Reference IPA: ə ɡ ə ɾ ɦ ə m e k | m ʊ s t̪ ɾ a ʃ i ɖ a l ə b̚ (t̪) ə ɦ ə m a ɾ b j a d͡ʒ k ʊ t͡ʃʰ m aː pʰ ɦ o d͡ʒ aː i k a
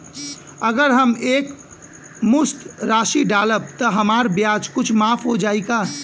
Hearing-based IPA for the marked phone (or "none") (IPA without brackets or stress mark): t̪